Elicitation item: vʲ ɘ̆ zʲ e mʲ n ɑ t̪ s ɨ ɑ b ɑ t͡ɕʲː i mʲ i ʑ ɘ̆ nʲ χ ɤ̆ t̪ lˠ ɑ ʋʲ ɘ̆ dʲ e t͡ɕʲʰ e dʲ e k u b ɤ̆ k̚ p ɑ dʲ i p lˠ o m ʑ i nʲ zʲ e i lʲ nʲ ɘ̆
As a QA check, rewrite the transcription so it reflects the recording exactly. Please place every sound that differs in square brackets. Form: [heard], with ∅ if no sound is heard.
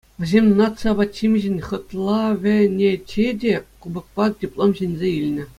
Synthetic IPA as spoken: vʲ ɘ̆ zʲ e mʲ n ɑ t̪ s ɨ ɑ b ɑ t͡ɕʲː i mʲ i ʑ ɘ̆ nʲ χ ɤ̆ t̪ lˠ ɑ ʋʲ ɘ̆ [nʲ] e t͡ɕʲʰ e dʲ e k u b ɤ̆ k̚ p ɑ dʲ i p lˠ o m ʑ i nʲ zʲ e i lʲ nʲ ɘ̆